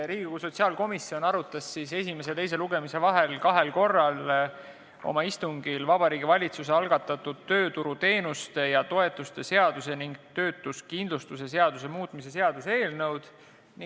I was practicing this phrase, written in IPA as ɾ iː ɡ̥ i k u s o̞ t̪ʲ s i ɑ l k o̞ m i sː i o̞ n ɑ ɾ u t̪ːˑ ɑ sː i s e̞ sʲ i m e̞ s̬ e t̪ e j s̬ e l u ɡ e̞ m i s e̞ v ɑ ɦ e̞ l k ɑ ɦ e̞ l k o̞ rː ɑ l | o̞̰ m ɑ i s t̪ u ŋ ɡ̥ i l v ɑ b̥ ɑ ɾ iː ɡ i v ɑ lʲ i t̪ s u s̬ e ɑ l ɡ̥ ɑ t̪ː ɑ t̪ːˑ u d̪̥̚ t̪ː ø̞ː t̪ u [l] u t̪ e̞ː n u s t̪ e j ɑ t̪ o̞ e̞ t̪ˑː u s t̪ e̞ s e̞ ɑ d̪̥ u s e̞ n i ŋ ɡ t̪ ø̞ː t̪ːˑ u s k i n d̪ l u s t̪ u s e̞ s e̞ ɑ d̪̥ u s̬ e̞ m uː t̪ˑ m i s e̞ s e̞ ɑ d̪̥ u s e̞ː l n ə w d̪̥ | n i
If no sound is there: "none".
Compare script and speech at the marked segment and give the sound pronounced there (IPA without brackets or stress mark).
ɾ